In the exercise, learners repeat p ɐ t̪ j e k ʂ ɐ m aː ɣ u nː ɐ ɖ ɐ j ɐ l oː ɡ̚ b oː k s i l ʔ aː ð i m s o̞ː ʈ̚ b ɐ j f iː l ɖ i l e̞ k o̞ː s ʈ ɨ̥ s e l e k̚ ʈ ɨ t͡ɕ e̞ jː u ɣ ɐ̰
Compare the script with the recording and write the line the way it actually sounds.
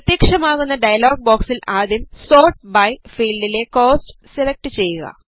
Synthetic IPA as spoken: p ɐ t̪ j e k ʂ ɐ m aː ɣ u nː ɐ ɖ ɐ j ɐ l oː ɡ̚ b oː k s i l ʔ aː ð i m s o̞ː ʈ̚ b ɐ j f iː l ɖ i l e̞ k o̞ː s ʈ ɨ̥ s e l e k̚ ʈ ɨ t͡ɕ e̞ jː u ɣ ɐ̰